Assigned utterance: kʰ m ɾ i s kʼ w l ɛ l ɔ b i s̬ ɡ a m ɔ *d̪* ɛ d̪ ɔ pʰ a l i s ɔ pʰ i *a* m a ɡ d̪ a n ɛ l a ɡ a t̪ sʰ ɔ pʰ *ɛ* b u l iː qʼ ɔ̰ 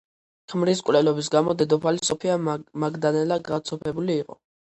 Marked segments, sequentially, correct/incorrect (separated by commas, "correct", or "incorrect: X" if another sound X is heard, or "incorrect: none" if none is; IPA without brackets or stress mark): correct, correct, correct